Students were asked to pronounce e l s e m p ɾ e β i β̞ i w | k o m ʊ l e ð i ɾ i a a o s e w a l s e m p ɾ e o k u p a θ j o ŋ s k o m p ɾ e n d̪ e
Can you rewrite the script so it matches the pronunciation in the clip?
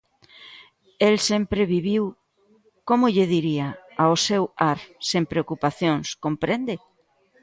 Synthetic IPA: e l s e m p ɾ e β i β̞ i w | k o m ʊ ʎ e ð i ɾ i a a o s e w a ɾ s e m p ɾ e o k u p a θ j o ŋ s k o m p ɾ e n d̪ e

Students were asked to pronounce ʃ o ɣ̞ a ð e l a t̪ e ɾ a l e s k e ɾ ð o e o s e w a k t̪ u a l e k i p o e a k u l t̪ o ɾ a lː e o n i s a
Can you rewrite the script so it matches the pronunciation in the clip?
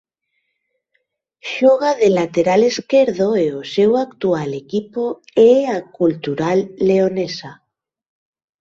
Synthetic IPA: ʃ o ɣ̞ a ð e l a t̪ e ɾ a l e s k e ɾ ð o e o s e w a k t̪ u a l e k i p o e a k u l t̪ u ɾ a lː e o n e s a

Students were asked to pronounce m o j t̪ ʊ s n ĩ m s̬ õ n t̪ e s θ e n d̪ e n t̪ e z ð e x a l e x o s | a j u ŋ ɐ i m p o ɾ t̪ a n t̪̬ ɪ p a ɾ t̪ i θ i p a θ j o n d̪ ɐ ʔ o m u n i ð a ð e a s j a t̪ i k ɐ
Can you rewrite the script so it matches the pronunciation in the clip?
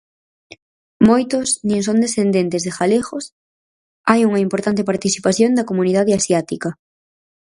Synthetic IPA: m o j t̪ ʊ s n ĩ ŋ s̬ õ n d̪ e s θ e n d̪ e n t̪ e z ð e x a l e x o s | a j u ŋ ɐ i m p o ɾ t̪ a n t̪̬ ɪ p a ɾ t̪ i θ i p a θ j o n d̪ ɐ k o m u n i ð a ð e a s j a t̪ i k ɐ

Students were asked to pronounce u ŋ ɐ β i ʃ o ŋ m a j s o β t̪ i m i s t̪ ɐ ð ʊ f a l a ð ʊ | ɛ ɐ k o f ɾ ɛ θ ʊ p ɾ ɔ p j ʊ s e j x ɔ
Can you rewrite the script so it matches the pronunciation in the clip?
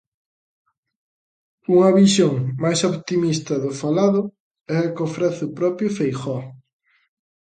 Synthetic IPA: u ŋ ɐ β i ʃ o ŋ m a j s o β t̪ i m i s t̪ ɐ ð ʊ f a l a ð ʊ | ɛ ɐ k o f ɾ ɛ θ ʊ p ɾ ɔ p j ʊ f e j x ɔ

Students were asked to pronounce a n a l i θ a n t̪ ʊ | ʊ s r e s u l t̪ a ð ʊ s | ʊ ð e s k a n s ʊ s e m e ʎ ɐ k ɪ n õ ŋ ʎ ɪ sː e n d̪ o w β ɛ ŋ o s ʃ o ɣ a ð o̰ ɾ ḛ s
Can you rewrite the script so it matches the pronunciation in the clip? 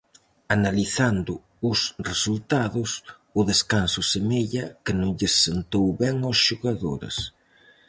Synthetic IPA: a n a l i θ a n d̪ ʊ | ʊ s r e s u l t̪ a ð ʊ s | ʊ ð e s k a n s ʊ s e m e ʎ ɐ k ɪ n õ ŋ ʎ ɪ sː e n t̪ o w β ɛ ŋ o s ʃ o ɣ a ð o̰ ɾ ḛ s

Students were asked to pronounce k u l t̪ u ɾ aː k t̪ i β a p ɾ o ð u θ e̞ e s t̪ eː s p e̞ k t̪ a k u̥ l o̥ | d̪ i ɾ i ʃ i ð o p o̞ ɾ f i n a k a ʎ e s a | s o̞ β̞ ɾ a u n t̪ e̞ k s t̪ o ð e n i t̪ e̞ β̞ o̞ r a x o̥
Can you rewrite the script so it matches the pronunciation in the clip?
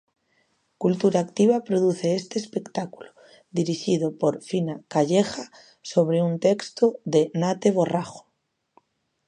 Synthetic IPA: k u l t̪ u ɾ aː k t̪ i β a p ɾ o ð u θ e̞ e s t̪ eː s p e̞ k t̪ a k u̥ l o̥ | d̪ i ɾ i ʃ i ð o p o̞ ɾ f i n a k a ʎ e x a | s o̞ β̞ ɾ e u n t̪ e̞ k s t̪ o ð e n a t̪ e̞ β̞ o̞ r a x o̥

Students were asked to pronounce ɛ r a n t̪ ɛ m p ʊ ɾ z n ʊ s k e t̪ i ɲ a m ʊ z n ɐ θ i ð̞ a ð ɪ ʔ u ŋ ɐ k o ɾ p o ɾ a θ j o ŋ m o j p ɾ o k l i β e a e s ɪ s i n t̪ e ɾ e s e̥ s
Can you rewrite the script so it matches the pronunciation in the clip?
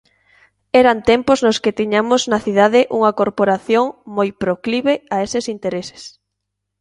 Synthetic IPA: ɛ ɾ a n t̪ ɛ m p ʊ z n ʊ s k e t̪ i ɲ a m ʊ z n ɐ θ i ð̞ a ð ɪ ʔ u ŋ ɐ k o ɾ p o ɾ a θ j o ŋ m o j p ɾ o k l i β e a e s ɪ s i n t̪ e ɾ e s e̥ s

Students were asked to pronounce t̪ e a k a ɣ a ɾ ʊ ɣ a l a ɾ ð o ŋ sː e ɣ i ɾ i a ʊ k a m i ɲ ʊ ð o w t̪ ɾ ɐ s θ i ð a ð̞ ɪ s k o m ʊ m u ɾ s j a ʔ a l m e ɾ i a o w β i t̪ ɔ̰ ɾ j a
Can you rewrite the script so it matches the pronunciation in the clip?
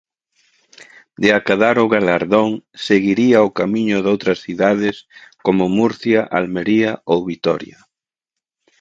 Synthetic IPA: d̪ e a k a ð a ɾ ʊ ɣ a l a ɾ ð o ŋ s e ɣ i ɾ i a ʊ k a m i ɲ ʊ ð o w t̪ ɾ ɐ s θ i ð a ð̞ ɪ s k o m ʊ m u ɾ θ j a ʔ a l m e ɾ i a o w β i t̪ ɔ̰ ɾ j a

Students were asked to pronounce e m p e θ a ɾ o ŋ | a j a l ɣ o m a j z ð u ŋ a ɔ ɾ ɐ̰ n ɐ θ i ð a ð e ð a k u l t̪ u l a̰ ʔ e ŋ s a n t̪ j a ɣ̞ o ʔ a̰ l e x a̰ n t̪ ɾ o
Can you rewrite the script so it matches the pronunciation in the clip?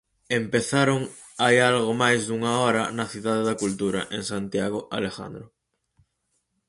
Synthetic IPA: e m p e θ a ɾ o ŋ | a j a l ɣ o m a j z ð u ŋ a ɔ ɾ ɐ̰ n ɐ θ i ð a ð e ð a k u l t̪ u ɾ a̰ ʔ e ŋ s a n t̪ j a ɣ̞ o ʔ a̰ l e x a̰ n d̪ ɾ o

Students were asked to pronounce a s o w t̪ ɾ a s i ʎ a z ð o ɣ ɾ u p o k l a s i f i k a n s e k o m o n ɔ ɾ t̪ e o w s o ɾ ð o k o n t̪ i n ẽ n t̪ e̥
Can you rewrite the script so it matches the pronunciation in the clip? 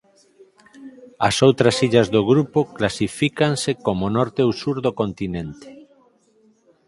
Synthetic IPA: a s o w t̪ ɾ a s i ʎ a z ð o ɣ ɾ u p o k l a s i f i k a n s e k o m o n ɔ ɾ t̪ e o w s u ɾ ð o k o n t̪ i n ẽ n t̪ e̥

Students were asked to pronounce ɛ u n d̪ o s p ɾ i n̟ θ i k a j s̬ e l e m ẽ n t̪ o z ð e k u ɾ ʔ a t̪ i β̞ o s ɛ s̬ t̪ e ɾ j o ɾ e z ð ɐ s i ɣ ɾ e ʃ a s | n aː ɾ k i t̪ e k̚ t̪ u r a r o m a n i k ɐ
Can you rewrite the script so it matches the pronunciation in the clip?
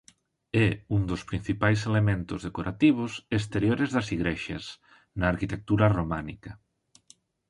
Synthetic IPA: ɛ u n d̪ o s p ɾ i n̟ θ i p a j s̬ e l e m ẽ n t̪ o z ð e k o ɾ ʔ a t̪ i β̞ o s e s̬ t̪ e ɾ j o ɾ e z ð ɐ s i ɣ ɾ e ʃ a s | n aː ɾ k i t̪ e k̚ t̪ u ɾ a r o m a n i k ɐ

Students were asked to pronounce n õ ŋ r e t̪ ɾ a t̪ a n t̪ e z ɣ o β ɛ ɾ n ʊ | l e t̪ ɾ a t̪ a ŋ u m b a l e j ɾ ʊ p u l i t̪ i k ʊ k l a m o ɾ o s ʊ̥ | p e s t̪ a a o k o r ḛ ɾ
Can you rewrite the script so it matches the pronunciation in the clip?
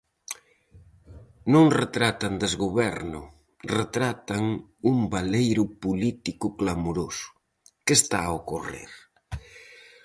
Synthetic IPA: n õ ŋ r e t̪ ɾ a t̪ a n d̪ e z ɣ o β ɛ ɾ n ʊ | r e t̪ ɾ a t̪ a ŋ u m b a l e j ɾ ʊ p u l i t̪ i k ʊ k l a m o ɾ o s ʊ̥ | k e s t̪ a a o k o r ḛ ɾ

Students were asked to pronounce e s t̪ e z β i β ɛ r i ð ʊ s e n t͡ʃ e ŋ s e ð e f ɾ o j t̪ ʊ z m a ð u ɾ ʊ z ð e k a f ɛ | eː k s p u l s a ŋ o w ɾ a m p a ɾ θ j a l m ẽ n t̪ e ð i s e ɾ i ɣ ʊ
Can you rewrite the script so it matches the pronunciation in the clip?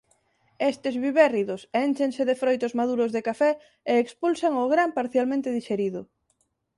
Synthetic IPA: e s t̪ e z β i β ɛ r i ð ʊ s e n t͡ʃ e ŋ s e ð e f ɾ o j t̪ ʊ z m a ð u ɾ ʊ z ð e k a f ɛ | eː k s p u l s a ŋ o ɣ ɾ a m p a ɾ θ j a l m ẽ n t̪ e ð i ʃ e ɾ i ð ʊ

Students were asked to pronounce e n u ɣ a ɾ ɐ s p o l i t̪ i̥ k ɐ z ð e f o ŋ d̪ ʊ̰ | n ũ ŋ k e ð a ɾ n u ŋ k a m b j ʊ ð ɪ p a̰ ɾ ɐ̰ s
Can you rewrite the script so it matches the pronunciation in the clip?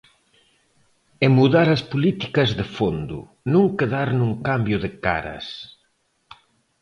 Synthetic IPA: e m u ð a ɾ ɐ s p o l i t̪ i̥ k ɐ z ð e f o n d̪ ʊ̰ | n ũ ŋ k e ð a ɾ n u ŋ k a m b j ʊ ð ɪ k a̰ ɾ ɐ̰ s

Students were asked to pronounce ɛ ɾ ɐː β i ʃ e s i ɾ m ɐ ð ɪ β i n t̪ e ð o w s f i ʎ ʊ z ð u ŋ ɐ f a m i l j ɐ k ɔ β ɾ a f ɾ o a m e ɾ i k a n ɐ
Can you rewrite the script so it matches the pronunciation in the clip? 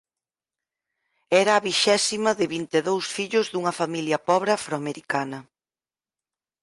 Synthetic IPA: ɛ ɾ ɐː β i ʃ ɛ s i m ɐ ð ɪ β i n t̪ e ð o w s f i ʎ ʊ z ð u ŋ ɐ f a m i l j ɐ p ɔ β ɾ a f ɾ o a m e ɾ i k a n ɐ

